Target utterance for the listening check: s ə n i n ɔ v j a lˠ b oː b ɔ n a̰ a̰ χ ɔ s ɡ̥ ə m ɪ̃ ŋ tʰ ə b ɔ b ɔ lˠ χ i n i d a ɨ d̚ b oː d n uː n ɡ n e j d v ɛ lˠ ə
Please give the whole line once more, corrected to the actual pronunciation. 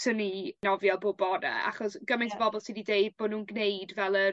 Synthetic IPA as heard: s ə n i n ɔ v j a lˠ b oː b ɔ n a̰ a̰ χ ɔ s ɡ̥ ə m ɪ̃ n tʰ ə b ɔ b ɔ lˠ s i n i d e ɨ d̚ b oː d n uː n ɡ n e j d v ɛ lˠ ə